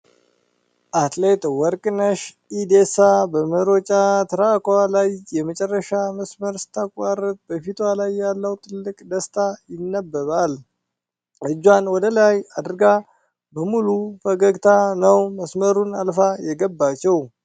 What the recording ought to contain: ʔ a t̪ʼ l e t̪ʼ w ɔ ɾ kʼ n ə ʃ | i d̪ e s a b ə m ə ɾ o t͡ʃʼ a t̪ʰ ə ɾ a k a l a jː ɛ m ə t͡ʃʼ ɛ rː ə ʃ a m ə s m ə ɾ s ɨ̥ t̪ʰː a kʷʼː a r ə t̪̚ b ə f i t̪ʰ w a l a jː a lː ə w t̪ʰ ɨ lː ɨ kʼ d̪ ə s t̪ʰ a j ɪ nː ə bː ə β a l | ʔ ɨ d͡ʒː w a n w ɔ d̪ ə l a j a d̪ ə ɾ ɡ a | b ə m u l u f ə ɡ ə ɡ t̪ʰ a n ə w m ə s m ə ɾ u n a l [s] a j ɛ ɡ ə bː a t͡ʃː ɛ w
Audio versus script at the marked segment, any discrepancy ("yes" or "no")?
yes